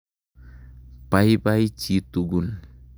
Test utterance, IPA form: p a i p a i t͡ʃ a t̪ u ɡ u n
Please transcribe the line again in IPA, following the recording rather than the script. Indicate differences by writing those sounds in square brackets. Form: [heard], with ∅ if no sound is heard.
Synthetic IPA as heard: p a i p a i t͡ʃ [i] t̪ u ɡ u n